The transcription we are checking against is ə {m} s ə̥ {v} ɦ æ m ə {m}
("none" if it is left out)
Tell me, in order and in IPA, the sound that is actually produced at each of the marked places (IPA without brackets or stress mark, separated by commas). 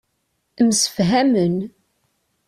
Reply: m, f, n